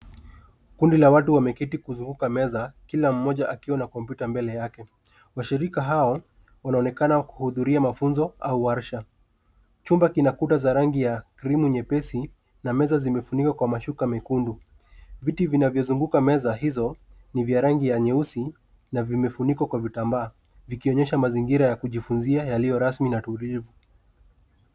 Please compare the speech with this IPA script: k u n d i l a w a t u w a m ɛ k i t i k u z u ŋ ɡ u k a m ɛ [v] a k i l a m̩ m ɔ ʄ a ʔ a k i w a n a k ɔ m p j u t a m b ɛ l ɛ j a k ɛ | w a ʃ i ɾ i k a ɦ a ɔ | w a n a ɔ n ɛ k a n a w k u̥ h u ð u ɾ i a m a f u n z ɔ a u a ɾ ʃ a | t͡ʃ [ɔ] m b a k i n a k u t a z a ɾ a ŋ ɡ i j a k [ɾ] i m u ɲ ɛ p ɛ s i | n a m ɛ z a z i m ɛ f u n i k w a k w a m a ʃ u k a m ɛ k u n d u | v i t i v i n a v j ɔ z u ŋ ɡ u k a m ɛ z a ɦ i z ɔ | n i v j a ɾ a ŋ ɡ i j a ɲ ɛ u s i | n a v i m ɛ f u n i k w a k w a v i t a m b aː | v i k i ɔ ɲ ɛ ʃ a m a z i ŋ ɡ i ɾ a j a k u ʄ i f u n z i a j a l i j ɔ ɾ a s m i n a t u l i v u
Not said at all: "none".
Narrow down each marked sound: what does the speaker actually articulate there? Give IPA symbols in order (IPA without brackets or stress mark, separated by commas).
z, u, ɾ